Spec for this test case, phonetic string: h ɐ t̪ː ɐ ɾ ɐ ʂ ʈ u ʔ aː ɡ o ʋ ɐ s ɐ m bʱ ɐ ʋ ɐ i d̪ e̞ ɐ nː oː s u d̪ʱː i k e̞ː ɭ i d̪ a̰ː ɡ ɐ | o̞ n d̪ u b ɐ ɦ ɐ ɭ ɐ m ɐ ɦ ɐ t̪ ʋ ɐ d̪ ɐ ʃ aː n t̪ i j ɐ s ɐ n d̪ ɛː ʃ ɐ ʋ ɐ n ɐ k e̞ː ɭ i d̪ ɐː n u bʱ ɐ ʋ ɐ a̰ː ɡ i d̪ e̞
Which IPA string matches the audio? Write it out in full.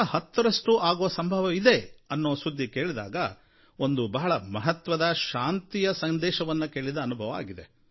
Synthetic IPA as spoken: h ɐ t̪ː ɐ ɾ ɐ ʂ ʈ u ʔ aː ɡ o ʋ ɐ s ɐ m bʱ ɐ ʋ ɐ i d̪ e̞ ɐ nː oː s u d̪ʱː i k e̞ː ɭ i d̪ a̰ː ɡ ɐ | o̞ n d̪ u b ɐ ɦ ɐ ɭ ɐ m ɐ ɦ ɐ t̪ ʋ ɐ d̪ ɐ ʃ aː n t̪ i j ɐ s ɐ n d̪ ɛː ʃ ɐ ʋ ɐ nː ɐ k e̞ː ɭ i d̪ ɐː n u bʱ ɐ ʋ ɐ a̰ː ɡ i d̪ e̞